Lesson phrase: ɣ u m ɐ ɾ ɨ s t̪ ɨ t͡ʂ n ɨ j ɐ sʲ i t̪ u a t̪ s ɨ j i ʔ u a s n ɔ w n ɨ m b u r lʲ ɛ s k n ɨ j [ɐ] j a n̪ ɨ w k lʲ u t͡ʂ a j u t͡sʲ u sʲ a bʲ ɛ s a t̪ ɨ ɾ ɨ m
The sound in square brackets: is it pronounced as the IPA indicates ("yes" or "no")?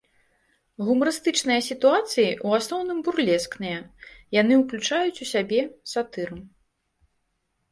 yes